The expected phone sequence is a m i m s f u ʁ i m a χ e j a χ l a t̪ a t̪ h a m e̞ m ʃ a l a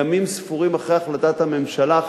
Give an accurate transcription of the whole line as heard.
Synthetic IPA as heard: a m i m s f u ʁ i m a χ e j a χ l a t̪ a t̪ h a m e̞ m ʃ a l a